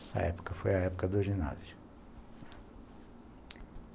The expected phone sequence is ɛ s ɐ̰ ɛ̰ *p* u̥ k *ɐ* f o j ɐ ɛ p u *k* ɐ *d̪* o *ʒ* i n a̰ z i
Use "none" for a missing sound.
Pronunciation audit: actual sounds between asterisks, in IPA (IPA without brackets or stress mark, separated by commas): p, ɐ, k, d̪, ʒ